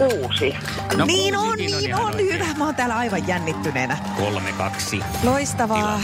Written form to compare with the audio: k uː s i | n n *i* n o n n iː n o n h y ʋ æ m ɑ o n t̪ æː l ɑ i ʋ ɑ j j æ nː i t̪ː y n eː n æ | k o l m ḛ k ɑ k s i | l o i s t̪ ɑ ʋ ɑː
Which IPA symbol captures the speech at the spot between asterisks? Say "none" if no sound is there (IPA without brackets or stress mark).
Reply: iː